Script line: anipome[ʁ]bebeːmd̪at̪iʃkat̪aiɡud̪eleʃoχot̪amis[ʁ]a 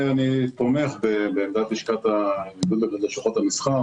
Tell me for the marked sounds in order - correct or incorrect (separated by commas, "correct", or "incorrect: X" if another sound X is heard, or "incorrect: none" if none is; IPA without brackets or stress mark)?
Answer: incorrect: χ, incorrect: χ